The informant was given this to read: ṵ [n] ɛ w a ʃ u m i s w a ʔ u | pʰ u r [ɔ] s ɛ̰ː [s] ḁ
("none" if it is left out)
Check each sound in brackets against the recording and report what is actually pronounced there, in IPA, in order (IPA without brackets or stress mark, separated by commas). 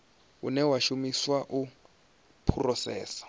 n, ɔ, s